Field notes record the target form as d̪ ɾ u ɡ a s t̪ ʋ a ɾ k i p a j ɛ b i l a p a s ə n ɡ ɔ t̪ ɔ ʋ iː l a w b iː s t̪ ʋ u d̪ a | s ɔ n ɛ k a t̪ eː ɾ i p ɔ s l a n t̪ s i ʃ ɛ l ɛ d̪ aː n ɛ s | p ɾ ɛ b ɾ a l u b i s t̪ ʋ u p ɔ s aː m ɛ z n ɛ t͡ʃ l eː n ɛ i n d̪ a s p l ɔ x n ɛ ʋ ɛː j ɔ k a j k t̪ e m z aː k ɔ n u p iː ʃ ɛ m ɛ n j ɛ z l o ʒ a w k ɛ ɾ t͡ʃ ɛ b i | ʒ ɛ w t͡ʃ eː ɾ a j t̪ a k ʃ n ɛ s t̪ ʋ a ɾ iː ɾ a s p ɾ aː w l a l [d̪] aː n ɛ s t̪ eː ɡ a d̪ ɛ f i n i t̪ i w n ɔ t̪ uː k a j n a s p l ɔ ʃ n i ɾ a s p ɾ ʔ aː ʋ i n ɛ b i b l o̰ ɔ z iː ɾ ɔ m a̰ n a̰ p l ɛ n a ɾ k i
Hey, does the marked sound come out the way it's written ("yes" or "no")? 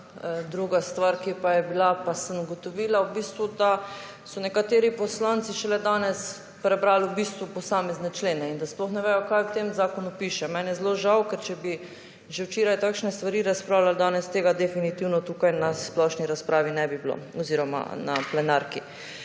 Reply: yes